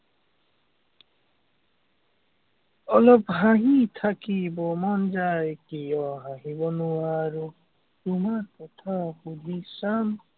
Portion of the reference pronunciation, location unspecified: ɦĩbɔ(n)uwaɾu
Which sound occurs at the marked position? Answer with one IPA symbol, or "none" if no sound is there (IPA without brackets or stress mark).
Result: n